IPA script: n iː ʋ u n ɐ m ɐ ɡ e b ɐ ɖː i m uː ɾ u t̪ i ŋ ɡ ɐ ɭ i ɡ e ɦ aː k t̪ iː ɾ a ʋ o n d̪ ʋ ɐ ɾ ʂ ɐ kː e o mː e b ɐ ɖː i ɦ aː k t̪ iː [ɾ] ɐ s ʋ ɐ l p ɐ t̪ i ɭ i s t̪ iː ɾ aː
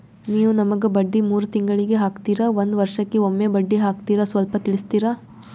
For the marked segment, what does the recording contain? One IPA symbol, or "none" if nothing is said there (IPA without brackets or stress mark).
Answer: ɾ